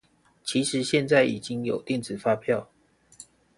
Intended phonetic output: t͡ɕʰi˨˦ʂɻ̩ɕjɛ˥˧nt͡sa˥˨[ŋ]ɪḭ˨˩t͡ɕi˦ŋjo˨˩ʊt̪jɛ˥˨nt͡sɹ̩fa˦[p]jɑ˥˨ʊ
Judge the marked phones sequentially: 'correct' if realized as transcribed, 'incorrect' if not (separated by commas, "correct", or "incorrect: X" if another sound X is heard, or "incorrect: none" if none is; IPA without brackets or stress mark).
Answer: incorrect: none, incorrect: pʰ